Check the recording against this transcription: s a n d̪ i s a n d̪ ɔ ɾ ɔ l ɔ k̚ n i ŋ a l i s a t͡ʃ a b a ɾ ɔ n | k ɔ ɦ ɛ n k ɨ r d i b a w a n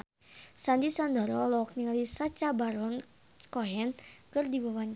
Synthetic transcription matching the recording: s a n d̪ i s a n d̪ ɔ ɾ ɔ l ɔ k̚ n i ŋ a l i s a t͡ʃ a b a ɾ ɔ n | k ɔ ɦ ɛ n k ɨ r d i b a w a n

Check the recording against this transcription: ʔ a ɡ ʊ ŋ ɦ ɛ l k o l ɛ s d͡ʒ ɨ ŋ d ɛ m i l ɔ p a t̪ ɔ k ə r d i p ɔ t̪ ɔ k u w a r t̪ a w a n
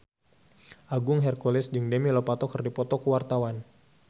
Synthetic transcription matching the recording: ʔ a ɡ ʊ ŋ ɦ ɛ r k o l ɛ s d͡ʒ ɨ ŋ d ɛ m i l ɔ p a t̪ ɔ k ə r d i p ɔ t̪ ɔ k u w a r t̪ a w a n

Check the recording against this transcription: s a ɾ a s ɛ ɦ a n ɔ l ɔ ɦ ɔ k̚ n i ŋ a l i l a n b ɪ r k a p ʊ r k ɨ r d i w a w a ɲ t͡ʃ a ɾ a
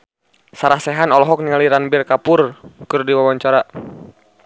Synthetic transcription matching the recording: s a ɾ a s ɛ ɦ a n ɔ l ɔ ɦ ɔ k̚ n i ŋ a l i ɾ a n b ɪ r k a p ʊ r k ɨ r d i w a w a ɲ t͡ʃ a ɾ a

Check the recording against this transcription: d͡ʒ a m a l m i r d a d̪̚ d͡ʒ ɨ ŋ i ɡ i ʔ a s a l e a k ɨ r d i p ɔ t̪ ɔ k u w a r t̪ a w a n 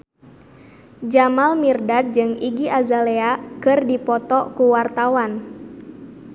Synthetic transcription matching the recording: d͡ʒ a m a l m i r d a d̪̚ d͡ʒ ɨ ŋ i ɡ i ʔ a z a l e a k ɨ r d i p ɔ t̪ ɔ k u w a r t̪ a w a n

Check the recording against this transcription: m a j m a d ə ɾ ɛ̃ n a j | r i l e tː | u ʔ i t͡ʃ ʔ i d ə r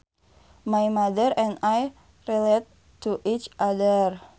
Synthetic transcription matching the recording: m a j m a d ə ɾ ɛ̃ n a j | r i l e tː | u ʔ i t͡ʃ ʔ a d ə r

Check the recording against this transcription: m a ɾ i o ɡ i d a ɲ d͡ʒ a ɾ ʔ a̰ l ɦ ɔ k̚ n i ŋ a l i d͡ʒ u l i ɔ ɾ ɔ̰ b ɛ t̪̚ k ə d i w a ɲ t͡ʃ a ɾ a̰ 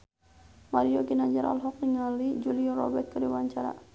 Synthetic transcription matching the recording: m a ɾ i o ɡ i n a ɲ d͡ʒ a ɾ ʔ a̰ l ɦ ɔ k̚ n i ŋ a l i d͡ʒ u l i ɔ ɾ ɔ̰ b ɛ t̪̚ k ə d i w a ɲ t͡ʃ a ɾ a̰

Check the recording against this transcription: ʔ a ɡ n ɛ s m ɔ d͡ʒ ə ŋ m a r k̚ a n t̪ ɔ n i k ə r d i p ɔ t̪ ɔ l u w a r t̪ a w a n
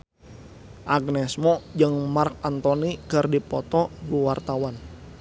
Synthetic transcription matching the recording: ʔ a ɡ n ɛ s m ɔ d͡ʒ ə ŋ m a r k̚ a n t̪ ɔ n i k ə r d i p ɔ t̪ ɔ l u w a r t̪ a w a n

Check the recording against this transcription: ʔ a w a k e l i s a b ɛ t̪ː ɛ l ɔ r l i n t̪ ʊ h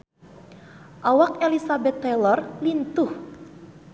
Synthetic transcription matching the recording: ʔ a w a k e l i s a b ɛ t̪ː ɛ l ɔ r l i n t̪ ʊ h

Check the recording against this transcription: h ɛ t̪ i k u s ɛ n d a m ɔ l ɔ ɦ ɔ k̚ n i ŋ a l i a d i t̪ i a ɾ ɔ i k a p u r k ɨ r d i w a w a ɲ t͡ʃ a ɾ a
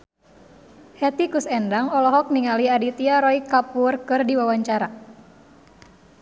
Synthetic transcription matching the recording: h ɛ t̪ i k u s ɛ n d a ŋ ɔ l ɔ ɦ ɔ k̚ n i ŋ a l i a d i t̪ i a ɾ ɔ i k a p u r k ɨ r d i w a w a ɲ t͡ʃ a ɾ a

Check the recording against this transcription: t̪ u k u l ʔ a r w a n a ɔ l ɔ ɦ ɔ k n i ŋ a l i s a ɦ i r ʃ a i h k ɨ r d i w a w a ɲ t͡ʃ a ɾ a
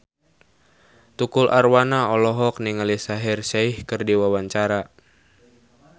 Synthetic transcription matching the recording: t̪ u k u l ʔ a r w a n a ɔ l ɔ ɦ ɔ k n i ŋ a l i s a ɦ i r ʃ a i h k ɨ r d i w a w a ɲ t͡ʃ a ɾ a

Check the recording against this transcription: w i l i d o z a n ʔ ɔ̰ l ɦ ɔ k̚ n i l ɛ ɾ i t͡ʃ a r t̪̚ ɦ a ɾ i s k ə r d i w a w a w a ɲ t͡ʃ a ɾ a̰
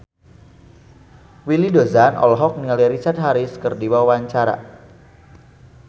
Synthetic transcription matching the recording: w i l i d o z a n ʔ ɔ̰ l ɦ ɔ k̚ n i l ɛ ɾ i t͡ʃ a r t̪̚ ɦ a ɾ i s k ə r d i w a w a w a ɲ t͡ʃ a ɾ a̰

